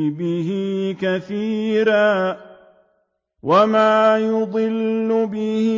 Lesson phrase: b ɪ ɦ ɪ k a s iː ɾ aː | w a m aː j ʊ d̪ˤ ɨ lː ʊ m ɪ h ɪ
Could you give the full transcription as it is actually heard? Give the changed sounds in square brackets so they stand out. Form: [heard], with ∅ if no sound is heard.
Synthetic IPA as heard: b ɪ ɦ ɪ k a [θ] iː ɾ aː | w a m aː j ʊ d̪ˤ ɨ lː ʊ [b] ɪ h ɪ